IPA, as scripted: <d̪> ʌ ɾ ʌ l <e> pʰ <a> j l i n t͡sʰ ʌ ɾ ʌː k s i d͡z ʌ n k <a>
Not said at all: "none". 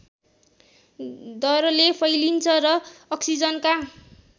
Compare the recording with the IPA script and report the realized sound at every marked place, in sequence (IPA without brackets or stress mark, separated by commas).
d̪, e, ʌ, a